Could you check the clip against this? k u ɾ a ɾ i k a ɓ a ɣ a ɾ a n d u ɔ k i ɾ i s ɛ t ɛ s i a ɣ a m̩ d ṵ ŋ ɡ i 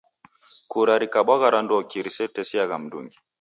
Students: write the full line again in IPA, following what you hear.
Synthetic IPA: k u ɾ a ɾ i k a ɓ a ɣ a ɾ a n d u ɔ k i ɾ i s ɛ t ɛ s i a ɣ a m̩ d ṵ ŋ ɡ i